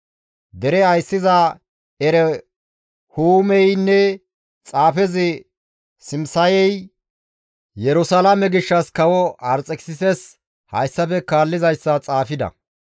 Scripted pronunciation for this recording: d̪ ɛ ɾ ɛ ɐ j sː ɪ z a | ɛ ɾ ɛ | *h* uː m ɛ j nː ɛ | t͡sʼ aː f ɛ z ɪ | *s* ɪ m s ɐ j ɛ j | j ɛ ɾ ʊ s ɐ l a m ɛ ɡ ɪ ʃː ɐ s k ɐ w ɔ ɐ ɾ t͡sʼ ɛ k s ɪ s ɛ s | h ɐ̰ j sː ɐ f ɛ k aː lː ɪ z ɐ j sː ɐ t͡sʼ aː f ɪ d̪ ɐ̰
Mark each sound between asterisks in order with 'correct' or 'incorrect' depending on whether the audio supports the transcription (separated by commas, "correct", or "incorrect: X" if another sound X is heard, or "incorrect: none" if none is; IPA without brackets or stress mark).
correct, correct